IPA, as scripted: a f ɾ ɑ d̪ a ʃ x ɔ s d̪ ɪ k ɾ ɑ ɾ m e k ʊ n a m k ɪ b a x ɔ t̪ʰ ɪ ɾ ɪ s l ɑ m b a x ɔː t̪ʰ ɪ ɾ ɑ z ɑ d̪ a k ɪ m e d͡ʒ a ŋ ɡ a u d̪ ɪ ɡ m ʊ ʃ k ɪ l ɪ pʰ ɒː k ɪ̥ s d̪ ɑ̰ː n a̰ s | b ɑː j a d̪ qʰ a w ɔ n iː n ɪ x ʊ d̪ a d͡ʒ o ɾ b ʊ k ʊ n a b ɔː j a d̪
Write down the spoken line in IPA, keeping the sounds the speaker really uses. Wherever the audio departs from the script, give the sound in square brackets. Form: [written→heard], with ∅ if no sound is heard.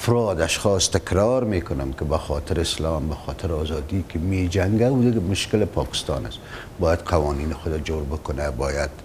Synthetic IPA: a f ɾ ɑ d̪ a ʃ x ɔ s [d̪→t̪] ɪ k ɾ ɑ ɾ m e k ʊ n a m k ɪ b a x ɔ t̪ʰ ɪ ɾ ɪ s l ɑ m b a x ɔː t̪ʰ ɪ ɾ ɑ z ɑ d̪ [a→i] k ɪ m e d͡ʒ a ŋ ɡ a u d̪ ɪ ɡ m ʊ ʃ k ɪ l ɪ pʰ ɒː k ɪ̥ s [d̪→t̪] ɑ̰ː n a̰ s | b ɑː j a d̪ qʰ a w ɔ n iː n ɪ x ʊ d̪ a d͡ʒ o ɾ b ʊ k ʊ n a b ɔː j a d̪

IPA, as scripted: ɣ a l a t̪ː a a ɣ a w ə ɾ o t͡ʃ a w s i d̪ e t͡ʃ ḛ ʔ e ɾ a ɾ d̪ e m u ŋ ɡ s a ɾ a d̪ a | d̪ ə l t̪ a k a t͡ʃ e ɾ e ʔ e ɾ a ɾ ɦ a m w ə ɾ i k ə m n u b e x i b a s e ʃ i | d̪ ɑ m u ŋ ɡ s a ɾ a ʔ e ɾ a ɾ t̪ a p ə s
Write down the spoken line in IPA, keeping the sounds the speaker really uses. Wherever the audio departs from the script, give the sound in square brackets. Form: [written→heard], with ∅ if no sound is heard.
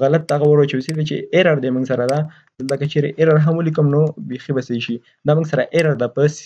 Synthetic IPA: ɣ a l a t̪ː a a ɣ a w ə ɾ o t͡ʃ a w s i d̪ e t͡ʃ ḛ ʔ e ɾ a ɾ d̪ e m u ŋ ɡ s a ɾ a d̪ a | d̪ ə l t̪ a k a t͡ʃ e ɾ e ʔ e ɾ a ɾ ɦ a m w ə [ɾ→l] i k ə m n [u→o] b e x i b a s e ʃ i | d̪ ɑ m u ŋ ɡ s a ɾ a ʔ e ɾ a ɾ [t̪→d̪] a p ə s

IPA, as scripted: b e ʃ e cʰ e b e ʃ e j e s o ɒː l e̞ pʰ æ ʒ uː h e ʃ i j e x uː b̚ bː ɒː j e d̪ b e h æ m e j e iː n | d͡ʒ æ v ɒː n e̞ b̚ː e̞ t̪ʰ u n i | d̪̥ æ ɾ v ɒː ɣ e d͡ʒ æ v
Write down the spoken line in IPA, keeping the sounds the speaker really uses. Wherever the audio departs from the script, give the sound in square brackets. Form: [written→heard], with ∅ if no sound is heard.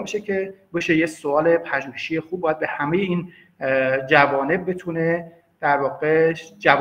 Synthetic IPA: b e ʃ e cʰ e b e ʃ e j e s o ɒː l e̞ pʰ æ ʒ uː h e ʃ i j e x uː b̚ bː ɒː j [e→æ] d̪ b e h æ m e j e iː n | d͡ʒ æ v ɒː n e̞ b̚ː e̞ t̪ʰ u n [i→e] | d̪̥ æ ɾ v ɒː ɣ e d͡ʒ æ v

